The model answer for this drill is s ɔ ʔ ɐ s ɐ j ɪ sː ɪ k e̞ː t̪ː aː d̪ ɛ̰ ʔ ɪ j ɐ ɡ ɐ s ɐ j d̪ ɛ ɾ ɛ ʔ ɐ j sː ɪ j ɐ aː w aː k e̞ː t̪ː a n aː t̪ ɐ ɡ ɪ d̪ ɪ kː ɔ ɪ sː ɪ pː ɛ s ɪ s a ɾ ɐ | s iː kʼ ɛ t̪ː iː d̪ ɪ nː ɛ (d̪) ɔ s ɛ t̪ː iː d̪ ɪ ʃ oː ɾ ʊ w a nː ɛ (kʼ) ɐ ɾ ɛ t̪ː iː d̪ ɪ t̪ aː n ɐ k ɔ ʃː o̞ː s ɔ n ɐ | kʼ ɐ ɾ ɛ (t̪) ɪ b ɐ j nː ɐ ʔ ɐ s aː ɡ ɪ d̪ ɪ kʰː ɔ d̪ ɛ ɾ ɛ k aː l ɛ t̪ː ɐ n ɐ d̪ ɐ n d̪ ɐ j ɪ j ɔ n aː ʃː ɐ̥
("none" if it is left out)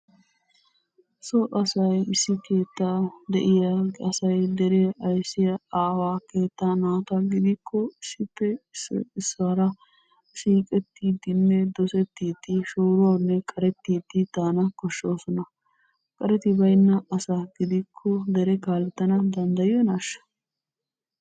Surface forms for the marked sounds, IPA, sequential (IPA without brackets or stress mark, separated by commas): d̪, kʼ, t̪